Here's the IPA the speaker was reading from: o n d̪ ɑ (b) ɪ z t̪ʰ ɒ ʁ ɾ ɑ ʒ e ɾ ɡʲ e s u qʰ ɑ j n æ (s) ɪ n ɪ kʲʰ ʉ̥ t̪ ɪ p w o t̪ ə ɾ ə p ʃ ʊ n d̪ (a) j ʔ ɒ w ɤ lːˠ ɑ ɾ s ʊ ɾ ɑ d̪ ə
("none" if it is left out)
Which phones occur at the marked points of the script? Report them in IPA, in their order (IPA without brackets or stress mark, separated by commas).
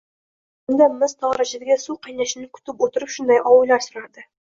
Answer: m, ʃ, ɑ